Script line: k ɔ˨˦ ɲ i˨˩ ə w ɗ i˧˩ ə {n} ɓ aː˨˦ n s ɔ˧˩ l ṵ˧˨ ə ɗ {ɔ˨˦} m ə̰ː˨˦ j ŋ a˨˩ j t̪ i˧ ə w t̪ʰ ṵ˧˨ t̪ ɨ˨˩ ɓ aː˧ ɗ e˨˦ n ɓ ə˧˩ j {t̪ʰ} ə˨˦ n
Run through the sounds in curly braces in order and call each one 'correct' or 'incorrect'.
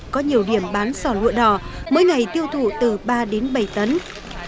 incorrect: m, incorrect: ɔ˧˩, incorrect: t̪

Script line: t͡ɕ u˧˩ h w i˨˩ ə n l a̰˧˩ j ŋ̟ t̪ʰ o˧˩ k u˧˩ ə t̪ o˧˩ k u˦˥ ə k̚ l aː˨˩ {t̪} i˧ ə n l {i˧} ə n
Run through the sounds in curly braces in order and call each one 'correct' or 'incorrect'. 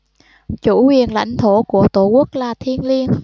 incorrect: t̪ʰ, correct

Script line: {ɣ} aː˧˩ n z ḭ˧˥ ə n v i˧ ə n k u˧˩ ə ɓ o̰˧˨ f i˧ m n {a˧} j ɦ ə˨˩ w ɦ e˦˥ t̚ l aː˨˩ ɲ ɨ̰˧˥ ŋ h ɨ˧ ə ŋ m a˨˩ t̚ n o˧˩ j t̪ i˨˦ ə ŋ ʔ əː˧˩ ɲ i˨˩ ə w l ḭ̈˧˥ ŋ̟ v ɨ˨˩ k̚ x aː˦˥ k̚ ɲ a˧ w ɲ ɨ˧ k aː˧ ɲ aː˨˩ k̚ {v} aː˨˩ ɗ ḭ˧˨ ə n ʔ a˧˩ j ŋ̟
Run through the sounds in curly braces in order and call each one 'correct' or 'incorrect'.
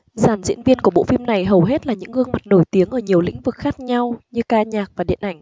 incorrect: z, incorrect: a˨˩, correct

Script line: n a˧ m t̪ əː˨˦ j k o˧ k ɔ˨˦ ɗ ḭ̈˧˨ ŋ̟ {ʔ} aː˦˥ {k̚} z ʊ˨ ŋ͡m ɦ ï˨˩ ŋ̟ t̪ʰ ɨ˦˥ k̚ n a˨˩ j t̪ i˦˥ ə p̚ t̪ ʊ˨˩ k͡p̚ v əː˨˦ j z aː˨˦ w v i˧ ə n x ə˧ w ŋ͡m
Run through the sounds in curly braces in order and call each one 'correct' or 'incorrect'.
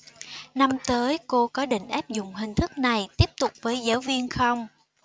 correct, incorrect: p̚

